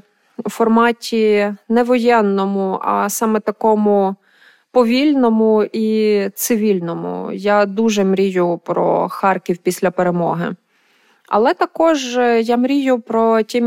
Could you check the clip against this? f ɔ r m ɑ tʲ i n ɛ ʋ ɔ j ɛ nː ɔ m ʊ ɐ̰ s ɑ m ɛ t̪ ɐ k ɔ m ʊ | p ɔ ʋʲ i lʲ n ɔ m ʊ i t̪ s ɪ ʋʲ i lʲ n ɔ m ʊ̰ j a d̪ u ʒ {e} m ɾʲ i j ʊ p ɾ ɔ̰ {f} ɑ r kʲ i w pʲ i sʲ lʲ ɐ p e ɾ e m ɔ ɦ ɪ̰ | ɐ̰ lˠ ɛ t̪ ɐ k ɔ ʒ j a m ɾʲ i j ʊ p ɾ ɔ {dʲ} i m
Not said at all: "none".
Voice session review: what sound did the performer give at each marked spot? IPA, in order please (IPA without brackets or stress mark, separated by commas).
ɛ, x, tʲ